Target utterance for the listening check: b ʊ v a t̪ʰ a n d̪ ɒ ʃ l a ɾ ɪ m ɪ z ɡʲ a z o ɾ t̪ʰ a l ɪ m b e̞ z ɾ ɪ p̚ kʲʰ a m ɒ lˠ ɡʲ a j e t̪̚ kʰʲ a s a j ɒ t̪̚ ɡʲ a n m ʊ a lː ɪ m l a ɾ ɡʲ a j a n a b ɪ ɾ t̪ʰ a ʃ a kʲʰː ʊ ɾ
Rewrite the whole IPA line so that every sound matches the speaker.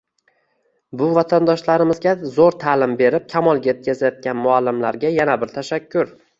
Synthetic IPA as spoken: b ʊ v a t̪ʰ a n d̪ ɒ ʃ l a ɾ ɪ m ɪ z ɡʲ a z o ɾ t̪ʰ a l ɪ m b e̞ ɾ ɪ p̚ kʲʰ a m ɒ lˠ ɡʲ a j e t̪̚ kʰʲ a z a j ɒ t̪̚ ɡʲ a n m ʊ a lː ɪ m l a ɾ ɡʲ a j a n a b ɪ ɾ t̪ʰ a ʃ a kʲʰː ʊ ɾ